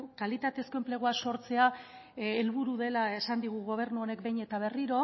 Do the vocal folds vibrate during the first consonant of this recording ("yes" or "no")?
no